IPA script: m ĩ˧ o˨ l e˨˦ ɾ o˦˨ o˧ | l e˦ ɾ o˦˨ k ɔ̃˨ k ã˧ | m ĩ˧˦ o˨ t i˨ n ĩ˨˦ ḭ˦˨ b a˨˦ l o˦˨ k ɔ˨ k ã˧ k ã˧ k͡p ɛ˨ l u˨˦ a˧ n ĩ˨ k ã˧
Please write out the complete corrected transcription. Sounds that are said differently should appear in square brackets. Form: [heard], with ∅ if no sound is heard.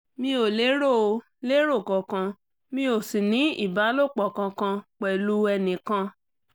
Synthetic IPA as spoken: m ĩ˧ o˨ l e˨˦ ɾ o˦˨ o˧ | l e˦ ɾ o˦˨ k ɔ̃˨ k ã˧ | m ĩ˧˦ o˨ [s] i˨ n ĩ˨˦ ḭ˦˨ b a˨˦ l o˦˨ [k͡p] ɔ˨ k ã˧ k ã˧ k͡p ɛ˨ l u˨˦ [ɛ˧] n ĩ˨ k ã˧